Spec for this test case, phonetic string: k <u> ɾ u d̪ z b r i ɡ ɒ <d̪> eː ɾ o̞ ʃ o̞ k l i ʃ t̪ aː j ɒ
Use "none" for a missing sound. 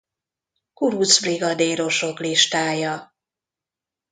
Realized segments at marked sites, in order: u, d̪

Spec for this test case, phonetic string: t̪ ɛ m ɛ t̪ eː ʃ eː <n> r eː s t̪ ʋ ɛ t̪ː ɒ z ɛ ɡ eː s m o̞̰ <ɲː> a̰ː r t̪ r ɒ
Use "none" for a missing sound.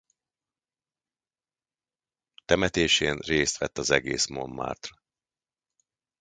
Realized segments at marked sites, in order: n, mː

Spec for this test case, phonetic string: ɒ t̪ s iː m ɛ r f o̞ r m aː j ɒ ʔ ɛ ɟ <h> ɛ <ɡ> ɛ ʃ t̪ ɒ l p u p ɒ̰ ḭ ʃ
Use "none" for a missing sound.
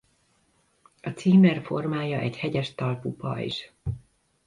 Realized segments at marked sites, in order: h, ɟ

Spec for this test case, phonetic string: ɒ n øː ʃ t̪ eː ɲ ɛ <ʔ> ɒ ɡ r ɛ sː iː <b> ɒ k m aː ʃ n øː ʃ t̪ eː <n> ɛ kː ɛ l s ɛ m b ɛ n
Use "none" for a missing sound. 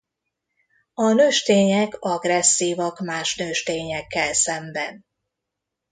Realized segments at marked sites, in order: k, v, ɲ

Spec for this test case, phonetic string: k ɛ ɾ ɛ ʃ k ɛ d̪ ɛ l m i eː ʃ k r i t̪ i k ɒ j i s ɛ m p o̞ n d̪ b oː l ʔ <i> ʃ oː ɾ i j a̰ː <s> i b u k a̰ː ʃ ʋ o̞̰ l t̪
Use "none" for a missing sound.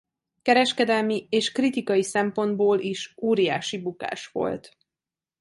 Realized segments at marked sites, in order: i, ʃ

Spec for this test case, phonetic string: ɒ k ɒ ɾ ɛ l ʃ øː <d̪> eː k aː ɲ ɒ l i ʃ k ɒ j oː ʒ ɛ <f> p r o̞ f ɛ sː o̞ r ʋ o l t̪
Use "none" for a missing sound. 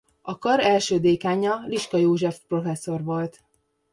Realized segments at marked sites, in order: d̪, f

